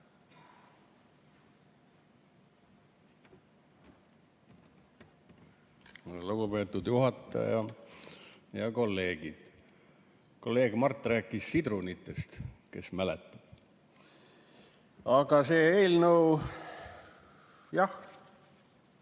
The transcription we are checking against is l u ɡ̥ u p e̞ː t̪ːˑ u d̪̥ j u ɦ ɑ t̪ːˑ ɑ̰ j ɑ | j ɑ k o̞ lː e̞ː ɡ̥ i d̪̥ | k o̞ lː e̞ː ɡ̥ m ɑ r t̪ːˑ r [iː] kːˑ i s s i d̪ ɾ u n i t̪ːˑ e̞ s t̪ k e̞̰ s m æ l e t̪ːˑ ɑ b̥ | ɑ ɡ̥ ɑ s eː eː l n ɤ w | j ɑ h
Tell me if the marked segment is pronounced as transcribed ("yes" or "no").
no